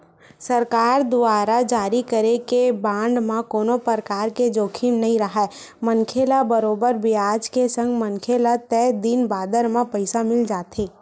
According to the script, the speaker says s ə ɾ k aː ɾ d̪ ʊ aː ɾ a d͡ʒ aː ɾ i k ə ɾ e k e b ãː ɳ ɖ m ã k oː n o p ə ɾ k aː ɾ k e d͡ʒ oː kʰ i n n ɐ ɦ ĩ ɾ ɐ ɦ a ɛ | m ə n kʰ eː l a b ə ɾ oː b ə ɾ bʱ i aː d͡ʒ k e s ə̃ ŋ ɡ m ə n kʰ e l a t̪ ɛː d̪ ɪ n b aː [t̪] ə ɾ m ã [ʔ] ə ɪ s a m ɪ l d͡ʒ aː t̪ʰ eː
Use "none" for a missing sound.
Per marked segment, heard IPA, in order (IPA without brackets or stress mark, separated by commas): d̪, p